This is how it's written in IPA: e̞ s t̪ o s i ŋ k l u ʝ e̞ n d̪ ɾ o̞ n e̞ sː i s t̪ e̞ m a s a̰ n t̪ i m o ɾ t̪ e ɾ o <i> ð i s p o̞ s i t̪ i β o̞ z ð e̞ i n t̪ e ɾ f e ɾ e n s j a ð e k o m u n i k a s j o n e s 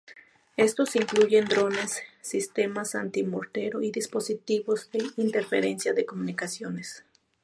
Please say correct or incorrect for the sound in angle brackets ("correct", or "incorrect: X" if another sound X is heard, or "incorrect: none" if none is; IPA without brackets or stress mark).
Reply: correct